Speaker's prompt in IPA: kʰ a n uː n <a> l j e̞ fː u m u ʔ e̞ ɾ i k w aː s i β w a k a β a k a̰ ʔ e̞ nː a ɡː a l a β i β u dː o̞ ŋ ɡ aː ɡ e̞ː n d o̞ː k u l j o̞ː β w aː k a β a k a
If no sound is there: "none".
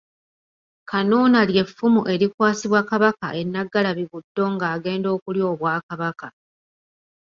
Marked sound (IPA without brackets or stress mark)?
a